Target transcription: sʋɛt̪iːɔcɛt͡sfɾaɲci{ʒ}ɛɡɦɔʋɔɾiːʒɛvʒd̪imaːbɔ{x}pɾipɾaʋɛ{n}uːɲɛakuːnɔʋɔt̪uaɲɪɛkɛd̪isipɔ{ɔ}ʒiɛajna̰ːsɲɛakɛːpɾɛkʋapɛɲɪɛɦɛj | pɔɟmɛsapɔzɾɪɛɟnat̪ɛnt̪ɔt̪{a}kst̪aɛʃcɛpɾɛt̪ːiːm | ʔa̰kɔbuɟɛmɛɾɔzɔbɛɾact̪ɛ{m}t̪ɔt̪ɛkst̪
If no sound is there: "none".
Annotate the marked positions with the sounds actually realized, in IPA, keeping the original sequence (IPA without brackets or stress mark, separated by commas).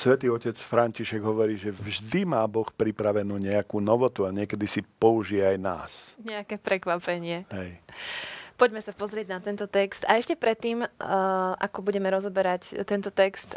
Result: ʃ, x, n, u, ɛ, n